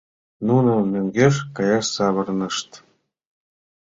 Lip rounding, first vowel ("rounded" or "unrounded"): rounded